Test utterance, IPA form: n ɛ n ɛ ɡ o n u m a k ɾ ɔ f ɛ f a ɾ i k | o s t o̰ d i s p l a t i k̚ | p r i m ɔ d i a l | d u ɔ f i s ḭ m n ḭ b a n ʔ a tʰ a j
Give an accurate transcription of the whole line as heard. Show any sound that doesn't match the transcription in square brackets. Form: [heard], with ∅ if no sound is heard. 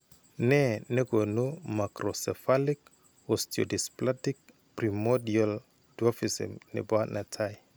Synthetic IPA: n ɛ n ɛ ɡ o n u m a k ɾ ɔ [s] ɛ f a [l] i k | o s t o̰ d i s p l a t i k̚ | p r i m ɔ d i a l | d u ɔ f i s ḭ m n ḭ b a n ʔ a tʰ a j